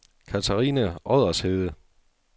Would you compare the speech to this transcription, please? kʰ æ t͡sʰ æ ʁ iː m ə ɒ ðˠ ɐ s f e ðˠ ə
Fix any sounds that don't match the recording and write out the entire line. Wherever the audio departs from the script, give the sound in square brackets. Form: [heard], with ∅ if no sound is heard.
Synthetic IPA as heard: kʰ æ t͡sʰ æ ʁ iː [n] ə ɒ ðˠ ɐ s [h] e ðˠ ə